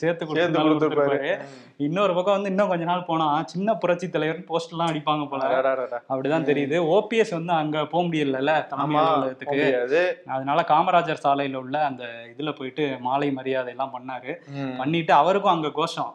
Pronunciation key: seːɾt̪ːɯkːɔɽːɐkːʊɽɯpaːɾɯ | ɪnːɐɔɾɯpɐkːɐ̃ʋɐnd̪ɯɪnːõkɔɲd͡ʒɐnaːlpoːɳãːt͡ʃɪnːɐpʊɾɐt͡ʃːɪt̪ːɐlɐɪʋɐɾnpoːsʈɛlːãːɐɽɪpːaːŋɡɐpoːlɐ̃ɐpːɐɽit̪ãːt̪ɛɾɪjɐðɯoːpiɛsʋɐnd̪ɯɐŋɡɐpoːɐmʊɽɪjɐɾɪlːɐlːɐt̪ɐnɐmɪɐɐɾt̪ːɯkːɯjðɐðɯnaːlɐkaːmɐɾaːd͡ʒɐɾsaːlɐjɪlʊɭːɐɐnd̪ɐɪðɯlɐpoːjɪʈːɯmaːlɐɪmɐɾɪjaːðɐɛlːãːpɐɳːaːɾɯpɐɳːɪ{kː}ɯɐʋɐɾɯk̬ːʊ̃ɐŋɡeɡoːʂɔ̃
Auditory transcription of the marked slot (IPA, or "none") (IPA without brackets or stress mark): ʈː